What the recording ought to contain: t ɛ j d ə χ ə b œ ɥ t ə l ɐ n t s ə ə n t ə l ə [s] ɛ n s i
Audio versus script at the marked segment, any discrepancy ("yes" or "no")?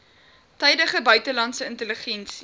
yes